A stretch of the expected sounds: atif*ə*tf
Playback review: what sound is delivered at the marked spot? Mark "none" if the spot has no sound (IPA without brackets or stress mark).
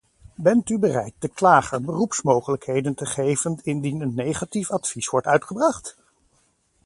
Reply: ɑ